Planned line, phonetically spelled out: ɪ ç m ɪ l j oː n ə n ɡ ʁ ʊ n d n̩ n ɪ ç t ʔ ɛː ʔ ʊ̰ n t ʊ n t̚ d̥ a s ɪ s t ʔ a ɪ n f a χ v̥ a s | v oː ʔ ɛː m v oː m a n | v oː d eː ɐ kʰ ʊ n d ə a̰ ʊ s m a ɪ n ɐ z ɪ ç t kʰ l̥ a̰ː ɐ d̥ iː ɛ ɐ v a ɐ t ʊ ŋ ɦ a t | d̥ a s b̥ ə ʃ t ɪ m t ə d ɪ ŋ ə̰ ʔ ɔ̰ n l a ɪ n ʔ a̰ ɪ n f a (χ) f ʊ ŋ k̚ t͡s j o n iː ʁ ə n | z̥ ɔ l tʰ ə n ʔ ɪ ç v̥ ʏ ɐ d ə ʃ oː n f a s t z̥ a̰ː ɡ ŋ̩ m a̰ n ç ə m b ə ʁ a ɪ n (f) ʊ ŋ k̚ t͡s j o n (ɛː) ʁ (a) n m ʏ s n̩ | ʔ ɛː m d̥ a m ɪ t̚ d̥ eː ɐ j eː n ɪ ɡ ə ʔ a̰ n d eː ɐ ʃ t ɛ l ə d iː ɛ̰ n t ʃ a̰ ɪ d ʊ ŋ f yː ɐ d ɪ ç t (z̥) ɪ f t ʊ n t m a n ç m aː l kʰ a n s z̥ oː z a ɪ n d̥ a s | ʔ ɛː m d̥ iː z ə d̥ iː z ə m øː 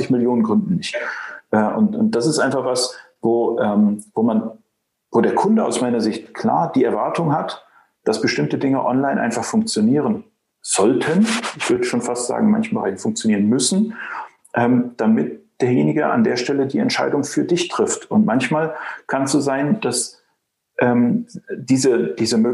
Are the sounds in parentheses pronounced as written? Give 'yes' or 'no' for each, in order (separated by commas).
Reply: yes, yes, no, no, no